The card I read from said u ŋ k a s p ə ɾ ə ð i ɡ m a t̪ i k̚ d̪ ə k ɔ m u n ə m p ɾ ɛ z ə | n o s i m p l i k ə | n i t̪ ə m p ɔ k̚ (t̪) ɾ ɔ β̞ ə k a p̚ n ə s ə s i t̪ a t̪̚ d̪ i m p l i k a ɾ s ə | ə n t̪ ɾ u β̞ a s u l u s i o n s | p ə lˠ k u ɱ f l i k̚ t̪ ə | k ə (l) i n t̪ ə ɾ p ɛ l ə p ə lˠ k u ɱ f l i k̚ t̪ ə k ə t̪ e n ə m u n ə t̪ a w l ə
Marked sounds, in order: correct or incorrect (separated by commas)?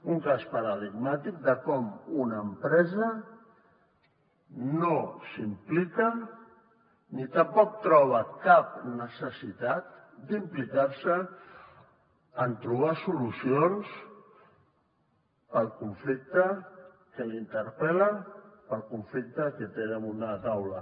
correct, correct